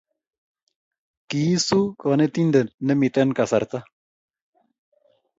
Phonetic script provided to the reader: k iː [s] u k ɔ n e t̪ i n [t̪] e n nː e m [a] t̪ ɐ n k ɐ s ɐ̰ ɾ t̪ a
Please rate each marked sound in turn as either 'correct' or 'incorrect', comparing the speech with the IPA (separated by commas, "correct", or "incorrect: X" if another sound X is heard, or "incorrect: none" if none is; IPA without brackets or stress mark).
correct, incorrect: d̪, incorrect: i